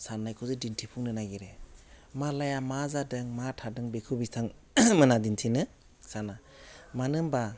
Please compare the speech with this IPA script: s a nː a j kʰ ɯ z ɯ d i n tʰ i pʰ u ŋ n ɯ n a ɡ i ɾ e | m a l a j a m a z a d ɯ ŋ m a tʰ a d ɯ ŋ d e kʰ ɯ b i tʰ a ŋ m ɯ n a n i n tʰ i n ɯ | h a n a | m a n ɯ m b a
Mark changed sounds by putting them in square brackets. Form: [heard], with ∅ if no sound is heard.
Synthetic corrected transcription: s a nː a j kʰ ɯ z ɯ d i n tʰ i pʰ u ŋ n ɯ n a ɡ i ɾ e | m a l a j a m a z a d ɯ ŋ m a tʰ a d ɯ ŋ [b] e kʰ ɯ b i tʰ a ŋ m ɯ n a [d] i n tʰ i n ɯ | [s] a n a | m a n ɯ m b a